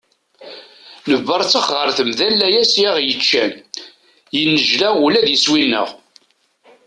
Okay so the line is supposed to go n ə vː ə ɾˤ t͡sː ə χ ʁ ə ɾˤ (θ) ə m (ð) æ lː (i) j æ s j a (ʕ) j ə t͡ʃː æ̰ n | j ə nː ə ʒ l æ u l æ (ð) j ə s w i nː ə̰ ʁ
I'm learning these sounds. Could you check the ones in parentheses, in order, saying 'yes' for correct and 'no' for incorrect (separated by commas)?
yes, yes, no, no, yes